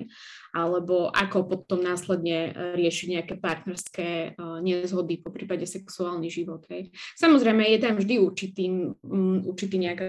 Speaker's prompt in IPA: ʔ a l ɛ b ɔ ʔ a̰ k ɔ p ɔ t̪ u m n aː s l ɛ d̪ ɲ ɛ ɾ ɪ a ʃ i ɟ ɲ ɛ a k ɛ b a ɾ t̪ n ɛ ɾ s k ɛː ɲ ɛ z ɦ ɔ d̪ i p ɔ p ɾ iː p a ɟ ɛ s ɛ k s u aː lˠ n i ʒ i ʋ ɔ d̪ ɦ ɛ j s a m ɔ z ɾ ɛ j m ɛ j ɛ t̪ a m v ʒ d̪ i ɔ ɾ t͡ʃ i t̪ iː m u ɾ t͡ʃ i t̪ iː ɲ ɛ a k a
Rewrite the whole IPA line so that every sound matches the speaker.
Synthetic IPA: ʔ a l ɛ b ɔ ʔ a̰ k ɔ p ɔ t̪ ɔ m n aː s l ɛ d̪ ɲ ɛ ɾ ɪ ɛ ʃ i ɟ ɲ ɛ a k ɛ p a ɾ t̪ n ɛ ɾ s k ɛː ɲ ɛ z ɦ ɔ d̪ i p ɔ p ɾ iː p a ɟ ɛ s ɛ k s u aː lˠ n i ʒ i ʋ ɔ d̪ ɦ ɛ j s a m ɔ z ɾ ɛ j m ɛ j ɛ t̪ a m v ʒ d̪ i u ɾ t͡ʃ i t̪ iː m u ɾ t͡ʃ i t̪ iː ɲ ɛ a k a